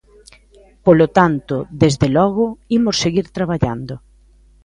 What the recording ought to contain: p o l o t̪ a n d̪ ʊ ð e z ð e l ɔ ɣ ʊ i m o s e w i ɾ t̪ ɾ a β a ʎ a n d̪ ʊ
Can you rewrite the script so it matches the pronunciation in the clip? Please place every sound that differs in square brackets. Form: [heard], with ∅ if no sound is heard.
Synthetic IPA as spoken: p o l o t̪ a n [t̪] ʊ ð e z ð e l ɔ ɣ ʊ i m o s e [ɣ] i ɾ t̪ ɾ a β a ʎ a n d̪ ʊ